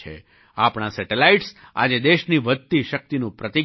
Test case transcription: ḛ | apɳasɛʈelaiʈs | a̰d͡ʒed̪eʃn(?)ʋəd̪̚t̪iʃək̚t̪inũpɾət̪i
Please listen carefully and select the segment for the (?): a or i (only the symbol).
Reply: i